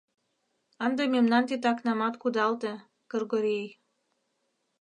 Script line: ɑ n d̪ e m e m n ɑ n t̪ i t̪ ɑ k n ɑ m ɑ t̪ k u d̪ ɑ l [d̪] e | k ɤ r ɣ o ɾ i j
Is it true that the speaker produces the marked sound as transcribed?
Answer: no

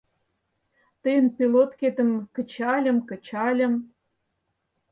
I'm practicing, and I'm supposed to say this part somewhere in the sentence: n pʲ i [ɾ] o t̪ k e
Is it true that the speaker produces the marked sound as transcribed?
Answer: no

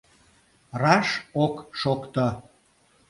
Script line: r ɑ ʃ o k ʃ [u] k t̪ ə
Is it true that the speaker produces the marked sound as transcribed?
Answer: no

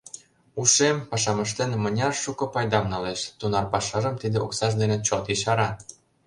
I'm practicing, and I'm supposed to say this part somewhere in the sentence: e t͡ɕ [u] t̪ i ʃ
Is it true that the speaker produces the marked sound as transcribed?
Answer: no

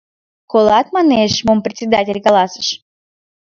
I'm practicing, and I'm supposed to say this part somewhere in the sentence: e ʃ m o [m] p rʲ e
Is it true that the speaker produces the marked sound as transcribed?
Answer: yes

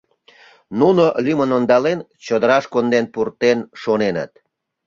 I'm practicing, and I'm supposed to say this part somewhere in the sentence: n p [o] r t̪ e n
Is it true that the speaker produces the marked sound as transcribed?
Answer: no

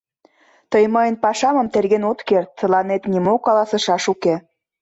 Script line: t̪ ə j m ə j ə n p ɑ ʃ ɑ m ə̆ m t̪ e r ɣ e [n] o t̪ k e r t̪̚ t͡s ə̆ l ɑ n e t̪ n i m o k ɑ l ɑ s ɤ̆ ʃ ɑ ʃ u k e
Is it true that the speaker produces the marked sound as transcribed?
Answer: yes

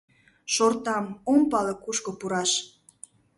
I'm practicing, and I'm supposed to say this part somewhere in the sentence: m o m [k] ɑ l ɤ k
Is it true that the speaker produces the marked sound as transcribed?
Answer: no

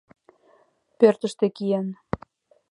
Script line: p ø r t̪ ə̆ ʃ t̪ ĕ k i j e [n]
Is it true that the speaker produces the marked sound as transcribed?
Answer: yes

